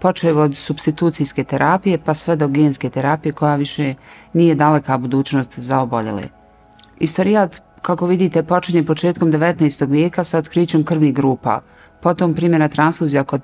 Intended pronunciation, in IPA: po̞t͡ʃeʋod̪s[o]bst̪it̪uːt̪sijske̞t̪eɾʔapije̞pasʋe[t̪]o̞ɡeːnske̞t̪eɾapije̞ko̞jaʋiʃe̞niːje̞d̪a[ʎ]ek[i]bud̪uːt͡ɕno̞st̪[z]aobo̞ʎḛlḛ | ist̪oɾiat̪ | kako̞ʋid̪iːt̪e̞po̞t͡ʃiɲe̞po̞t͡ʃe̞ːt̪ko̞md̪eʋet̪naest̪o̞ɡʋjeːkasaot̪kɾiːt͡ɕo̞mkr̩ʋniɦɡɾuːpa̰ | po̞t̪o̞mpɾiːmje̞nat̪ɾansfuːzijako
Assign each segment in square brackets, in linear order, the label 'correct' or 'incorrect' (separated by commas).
incorrect, incorrect, incorrect, incorrect, correct